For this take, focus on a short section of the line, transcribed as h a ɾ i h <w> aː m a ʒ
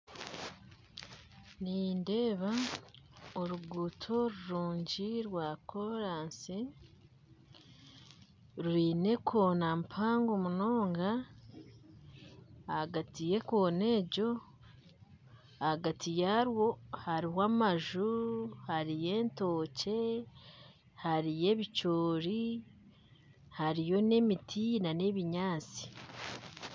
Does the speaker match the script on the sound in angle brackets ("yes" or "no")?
yes